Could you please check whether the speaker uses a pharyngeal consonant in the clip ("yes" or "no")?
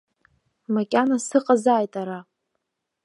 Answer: no